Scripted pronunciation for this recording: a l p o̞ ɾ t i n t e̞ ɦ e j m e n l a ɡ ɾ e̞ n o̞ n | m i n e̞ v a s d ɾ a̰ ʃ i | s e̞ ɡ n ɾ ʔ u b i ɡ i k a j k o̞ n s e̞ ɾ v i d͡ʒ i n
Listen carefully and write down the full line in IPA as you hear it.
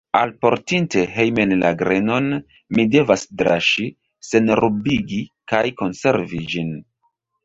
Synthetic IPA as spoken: a l p o̞ ɾ t i n t e̞ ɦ e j m e n l a ɡ ɾ e̞ n o̞ n | m i d e̞ v a s d ɾ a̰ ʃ i | s e̞ n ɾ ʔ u b i ɡ i k a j k o̞ n s e̞ ɾ v i d͡ʒ i n

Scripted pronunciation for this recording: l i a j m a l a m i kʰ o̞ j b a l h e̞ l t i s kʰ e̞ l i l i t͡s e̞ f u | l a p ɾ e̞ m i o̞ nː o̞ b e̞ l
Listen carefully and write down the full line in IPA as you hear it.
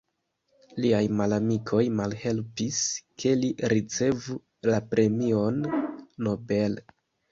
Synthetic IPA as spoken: l i a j m a l a m i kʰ o̞ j m a l h e̞ l p i s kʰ e̞ l i ɾ i t͡s e̞ v u | l a p ɾ e̞ m i o̞ nː o̞ b e̞ l

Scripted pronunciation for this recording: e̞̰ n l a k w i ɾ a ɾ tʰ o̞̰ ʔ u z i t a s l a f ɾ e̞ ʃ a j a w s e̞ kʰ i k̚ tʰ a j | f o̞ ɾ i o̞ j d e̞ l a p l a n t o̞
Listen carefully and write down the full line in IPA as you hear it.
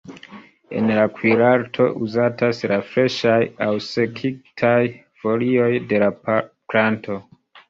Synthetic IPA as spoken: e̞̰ n l a k w i ɾ a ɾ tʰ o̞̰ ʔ u z a t a s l a f ɾ e̞ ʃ a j a w s e̞ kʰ i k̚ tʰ a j | f o̞ l i o̞ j d e̞ l a p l a n t o̞

